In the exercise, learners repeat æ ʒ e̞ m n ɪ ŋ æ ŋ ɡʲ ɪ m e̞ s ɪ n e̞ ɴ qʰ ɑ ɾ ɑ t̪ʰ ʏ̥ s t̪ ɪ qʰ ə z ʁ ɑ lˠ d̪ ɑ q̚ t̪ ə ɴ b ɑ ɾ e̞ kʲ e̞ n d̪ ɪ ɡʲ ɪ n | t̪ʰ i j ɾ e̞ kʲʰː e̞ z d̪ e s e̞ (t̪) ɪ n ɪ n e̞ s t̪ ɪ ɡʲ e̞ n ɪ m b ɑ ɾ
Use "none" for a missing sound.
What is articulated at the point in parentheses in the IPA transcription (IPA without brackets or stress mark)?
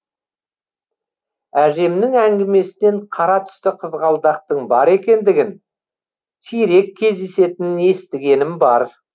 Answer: t̪